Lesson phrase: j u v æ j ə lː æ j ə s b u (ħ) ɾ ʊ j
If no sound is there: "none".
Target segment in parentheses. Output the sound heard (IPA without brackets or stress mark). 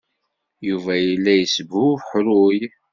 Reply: ħ